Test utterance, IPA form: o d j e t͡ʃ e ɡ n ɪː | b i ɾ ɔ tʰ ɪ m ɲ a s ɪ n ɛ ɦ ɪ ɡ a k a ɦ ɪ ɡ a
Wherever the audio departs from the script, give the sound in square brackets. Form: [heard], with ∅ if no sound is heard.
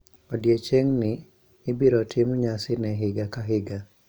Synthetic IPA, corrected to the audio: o d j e t͡ʃ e [ŋ] n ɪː | b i ɾ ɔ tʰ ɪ m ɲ a s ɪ n ɛ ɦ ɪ ɡ a k a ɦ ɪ ɡ a